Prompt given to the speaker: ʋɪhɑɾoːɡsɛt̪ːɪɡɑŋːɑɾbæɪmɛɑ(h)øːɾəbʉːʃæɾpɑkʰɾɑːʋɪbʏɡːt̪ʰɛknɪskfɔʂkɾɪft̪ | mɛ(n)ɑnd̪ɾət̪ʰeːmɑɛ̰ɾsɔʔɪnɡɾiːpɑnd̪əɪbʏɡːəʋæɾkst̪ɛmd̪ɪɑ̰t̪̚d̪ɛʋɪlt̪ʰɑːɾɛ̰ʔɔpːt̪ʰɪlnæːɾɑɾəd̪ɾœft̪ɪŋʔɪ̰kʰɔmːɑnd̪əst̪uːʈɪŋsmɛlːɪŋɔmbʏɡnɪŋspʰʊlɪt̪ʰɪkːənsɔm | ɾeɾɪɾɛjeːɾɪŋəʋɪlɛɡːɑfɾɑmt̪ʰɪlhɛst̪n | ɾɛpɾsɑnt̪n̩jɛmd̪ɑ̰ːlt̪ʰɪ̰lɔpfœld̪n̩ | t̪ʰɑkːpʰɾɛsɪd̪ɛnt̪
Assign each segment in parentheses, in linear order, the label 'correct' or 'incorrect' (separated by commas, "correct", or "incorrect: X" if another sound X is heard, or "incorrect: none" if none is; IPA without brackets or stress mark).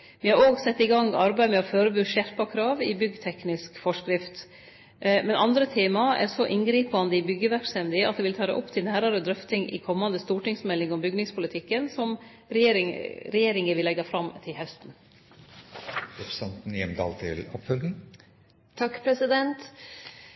incorrect: f, correct